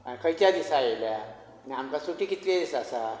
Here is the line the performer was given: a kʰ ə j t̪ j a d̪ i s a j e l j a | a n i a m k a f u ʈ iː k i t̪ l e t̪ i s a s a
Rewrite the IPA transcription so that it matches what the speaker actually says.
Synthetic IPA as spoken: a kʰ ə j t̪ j a d̪ i s a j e l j a | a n i a m k a s u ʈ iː k i t̪ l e d̪ i s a s a